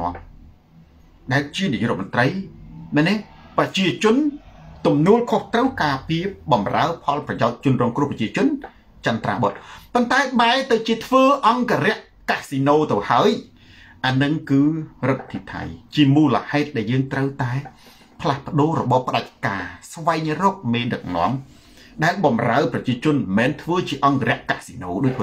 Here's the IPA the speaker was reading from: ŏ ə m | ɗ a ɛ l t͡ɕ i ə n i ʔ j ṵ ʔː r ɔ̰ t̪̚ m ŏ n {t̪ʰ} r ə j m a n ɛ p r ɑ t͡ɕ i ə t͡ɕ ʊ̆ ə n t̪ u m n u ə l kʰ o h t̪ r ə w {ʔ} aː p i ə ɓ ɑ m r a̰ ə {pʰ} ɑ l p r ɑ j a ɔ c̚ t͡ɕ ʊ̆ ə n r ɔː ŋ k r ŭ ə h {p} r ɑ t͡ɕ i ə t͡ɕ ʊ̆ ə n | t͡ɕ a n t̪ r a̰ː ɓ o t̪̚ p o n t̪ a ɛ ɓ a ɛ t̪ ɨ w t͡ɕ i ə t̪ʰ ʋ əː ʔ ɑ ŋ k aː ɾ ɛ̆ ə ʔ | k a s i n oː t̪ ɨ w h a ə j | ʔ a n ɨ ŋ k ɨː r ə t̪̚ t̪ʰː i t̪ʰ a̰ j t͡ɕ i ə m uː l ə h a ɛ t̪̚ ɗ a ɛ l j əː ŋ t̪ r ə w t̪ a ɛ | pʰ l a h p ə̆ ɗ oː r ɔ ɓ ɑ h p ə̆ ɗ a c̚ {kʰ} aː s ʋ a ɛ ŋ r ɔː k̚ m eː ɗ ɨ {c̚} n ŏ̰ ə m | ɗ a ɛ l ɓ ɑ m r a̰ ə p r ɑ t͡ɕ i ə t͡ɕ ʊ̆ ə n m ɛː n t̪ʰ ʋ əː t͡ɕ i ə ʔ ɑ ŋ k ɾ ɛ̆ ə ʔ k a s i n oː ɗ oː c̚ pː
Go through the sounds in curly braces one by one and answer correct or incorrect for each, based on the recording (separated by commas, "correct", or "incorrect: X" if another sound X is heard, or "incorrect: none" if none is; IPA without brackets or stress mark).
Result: incorrect: t̪, incorrect: k, correct, correct, incorrect: k, incorrect: k̚